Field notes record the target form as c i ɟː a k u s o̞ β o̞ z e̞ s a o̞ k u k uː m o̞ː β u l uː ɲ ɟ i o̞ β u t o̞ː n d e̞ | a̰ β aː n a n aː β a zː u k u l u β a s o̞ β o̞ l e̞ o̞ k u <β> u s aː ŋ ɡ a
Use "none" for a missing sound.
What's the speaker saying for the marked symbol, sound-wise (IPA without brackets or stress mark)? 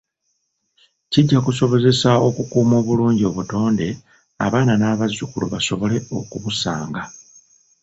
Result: β